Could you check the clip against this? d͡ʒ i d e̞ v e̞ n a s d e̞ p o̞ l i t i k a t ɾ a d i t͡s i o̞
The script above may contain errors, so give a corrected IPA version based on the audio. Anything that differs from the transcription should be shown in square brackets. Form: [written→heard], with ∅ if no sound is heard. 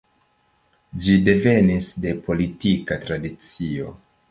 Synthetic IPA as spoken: d͡ʒ i d e̞ v e̞ n [a→i] s d e̞ p o̞ l i t i k a t ɾ a d i t͡s i o̞

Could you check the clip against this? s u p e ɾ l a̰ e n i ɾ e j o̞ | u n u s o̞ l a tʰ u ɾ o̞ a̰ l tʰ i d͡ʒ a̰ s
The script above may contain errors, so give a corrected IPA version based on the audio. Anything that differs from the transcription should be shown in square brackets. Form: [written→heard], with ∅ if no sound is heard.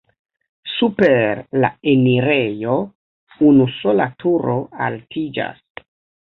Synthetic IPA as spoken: s u p e ɾ l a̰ e n i ɾ e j o̞ | u n u s o̞ l a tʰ u ɾ o̞ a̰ l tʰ i d͡ʒ a̰ s

